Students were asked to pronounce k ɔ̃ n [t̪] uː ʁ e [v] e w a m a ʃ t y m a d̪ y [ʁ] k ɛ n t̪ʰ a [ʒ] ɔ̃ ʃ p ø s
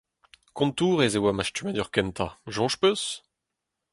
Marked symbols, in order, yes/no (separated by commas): yes, no, yes, yes